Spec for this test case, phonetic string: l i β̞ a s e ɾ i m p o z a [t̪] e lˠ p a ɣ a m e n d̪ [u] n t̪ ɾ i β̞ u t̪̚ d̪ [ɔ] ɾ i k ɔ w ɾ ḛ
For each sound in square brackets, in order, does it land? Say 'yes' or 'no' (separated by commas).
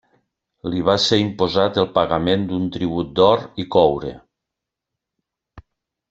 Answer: yes, yes, yes